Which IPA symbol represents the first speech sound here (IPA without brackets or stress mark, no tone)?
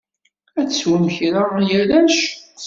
æ